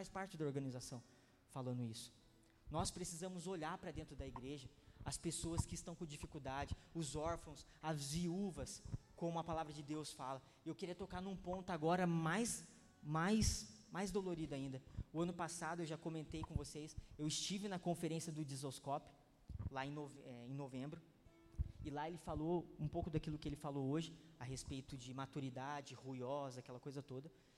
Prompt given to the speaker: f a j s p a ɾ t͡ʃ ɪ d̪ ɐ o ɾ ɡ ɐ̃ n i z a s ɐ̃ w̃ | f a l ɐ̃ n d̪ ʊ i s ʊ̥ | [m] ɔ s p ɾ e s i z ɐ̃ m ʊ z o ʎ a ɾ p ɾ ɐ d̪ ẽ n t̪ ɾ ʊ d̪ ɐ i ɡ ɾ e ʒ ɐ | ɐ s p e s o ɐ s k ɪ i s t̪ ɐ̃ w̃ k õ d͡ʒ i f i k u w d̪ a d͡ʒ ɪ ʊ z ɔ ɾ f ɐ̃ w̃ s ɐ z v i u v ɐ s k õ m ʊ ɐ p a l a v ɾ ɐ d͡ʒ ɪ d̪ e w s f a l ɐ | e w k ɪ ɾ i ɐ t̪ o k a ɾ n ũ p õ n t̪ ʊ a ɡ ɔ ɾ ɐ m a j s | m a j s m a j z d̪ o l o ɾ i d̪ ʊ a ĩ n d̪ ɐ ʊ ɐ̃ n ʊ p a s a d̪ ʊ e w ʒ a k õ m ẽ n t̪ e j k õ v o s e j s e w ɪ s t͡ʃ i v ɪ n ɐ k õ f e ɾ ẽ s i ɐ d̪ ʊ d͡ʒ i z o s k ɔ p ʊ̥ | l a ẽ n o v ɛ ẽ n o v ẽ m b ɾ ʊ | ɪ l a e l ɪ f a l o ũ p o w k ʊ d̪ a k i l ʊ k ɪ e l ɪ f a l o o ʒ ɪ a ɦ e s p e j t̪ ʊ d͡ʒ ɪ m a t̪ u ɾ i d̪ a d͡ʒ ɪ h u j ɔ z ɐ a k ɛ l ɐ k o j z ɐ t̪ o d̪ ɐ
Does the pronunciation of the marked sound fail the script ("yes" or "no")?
yes